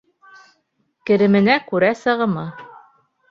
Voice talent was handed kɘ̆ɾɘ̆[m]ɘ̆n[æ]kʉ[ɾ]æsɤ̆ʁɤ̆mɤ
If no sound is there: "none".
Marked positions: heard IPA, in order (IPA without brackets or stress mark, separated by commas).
m, æ, ɾ